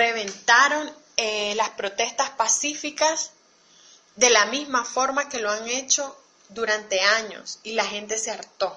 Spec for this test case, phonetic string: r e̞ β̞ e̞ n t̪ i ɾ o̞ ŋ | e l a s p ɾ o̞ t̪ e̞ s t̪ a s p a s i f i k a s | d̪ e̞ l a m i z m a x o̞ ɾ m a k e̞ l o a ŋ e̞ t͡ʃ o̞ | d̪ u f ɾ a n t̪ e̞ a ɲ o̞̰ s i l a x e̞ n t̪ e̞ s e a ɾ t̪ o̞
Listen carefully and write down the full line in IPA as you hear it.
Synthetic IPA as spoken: r e̞ β̞ e̞ n t̪ a ɾ o̞ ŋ | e l a s p ɾ o̞ t̪ e̞ s t̪ a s p a s i f i k a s | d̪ e̞ l a m i z m a f o̞ ɾ m a k e̞ l o a ŋ e̞ t͡ʃ o̞ | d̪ u ɾ a n t̪ e̞ a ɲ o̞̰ s i l a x e̞ n t̪ e̞ s e a ɾ t̪ o̞